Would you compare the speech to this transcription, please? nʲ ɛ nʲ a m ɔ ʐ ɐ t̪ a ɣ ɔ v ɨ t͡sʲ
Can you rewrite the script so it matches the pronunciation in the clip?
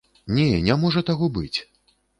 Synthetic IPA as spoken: nʲ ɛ nʲ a m ɔ ʐ ɐ t̪ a ɣ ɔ b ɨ t͡sʲ